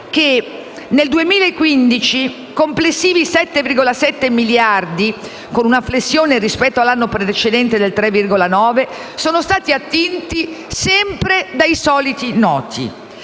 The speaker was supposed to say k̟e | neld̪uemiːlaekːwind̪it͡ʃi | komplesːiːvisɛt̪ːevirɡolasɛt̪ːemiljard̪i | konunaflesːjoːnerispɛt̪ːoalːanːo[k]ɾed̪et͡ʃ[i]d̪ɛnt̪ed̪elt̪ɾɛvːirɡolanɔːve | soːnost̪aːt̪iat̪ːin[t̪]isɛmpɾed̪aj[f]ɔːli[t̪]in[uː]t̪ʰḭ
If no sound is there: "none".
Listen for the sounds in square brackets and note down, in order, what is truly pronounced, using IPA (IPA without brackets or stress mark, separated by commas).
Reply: p, e, t̪, s, t̪, ɔː